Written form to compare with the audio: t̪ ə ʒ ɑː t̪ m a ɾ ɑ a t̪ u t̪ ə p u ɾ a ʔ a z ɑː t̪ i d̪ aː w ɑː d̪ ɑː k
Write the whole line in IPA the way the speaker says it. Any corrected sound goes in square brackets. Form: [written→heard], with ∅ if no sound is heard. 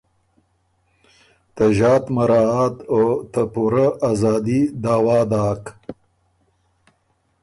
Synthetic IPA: t̪ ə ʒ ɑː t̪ m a ɾ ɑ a t̪ [u→o] t̪ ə p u ɾ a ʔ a z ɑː [t̪→d̪] i d̪ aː w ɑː d̪ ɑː k